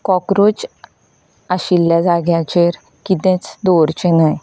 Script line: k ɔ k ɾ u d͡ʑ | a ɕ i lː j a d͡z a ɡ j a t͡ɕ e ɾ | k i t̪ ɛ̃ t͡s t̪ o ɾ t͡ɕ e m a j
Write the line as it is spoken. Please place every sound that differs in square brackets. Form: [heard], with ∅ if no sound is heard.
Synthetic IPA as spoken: k ɔ k ɾ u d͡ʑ | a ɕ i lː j a d͡z a ɡ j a t͡ɕ e ɾ | k i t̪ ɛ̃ t͡s [d̪] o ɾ t͡ɕ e [n] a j